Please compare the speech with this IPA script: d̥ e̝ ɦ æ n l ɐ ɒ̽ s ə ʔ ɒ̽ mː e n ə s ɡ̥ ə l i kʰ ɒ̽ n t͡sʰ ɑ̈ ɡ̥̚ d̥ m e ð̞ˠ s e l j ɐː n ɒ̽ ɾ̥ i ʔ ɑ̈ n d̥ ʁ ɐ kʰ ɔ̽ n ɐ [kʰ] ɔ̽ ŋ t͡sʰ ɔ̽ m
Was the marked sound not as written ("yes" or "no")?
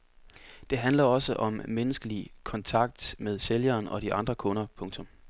yes